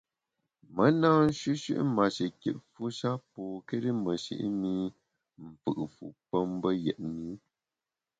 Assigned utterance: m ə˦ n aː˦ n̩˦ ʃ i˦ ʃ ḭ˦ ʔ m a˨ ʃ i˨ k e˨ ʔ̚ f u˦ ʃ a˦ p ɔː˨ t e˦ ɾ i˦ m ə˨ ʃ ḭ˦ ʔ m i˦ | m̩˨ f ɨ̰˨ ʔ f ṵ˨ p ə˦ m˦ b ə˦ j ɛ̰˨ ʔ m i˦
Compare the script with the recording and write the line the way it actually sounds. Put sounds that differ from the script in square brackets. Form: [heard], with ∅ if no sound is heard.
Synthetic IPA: m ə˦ n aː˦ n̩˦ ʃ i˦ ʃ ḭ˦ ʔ m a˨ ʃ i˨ k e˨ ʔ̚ f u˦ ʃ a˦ p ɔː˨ [k] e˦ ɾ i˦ m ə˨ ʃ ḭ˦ ʔ m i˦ | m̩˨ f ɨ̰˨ ʔ f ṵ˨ p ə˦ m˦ b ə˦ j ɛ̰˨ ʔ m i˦